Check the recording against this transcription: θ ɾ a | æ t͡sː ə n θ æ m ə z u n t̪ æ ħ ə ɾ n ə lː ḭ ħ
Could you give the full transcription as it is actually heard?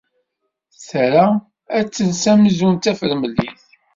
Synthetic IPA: θ ɾ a | æ t͡sː ə n s æ m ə z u n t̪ æ f ə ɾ m ə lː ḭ θ